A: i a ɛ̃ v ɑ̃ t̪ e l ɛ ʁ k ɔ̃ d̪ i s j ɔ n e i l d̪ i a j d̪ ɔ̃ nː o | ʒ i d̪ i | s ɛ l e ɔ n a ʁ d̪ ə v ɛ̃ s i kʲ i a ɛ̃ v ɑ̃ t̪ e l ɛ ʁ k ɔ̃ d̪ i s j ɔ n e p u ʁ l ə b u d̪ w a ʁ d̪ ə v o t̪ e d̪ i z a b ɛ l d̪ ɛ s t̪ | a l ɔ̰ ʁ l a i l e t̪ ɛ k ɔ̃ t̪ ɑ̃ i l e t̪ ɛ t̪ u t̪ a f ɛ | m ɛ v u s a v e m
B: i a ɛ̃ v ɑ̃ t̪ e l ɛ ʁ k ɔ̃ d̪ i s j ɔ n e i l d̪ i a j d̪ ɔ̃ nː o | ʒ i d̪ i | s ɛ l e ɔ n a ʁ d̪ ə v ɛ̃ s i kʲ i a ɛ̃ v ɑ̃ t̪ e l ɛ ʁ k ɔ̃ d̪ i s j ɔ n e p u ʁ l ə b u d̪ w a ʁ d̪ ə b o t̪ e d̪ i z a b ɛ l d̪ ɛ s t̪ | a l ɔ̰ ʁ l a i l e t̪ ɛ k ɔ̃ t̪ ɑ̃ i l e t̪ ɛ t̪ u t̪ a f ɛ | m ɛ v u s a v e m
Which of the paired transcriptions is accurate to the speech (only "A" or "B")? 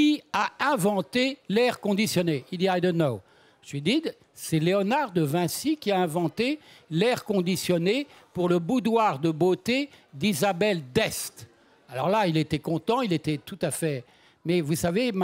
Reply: B